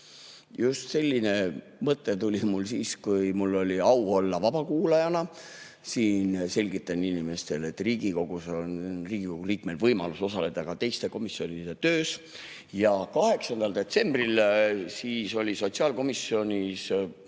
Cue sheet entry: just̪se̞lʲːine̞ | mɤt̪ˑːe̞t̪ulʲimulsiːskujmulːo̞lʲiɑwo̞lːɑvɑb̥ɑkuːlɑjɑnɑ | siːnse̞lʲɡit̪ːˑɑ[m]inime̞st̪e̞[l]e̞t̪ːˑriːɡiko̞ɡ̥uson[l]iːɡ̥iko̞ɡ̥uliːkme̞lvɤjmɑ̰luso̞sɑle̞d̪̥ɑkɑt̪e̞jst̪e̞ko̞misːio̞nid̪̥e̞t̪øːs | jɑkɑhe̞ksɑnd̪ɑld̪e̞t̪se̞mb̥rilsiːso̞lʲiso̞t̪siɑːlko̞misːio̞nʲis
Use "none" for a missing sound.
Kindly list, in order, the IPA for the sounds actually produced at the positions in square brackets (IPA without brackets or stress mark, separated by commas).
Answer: n, l, r